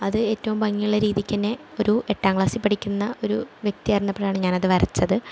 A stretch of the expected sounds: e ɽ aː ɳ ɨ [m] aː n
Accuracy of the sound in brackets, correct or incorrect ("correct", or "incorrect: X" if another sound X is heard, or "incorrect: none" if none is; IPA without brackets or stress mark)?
incorrect: ɲ